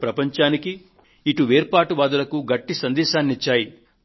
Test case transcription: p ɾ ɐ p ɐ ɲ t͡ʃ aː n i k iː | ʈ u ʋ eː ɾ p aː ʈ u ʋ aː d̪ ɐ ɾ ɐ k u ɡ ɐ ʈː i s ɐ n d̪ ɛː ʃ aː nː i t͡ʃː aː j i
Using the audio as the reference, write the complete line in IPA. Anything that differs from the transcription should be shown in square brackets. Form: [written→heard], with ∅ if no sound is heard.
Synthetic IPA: p ɾ ɐ p ɐ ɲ t͡ʃ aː n i k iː | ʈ u ʋ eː ɾ p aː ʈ u ʋ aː d̪ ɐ [ɾ→l] ɐ k u ɡ ɐ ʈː i s ɐ n d̪ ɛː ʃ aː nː i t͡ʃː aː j i